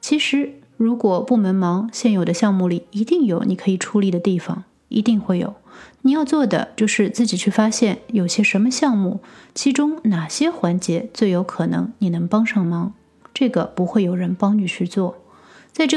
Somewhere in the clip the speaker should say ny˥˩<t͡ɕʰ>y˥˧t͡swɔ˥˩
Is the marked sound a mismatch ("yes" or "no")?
no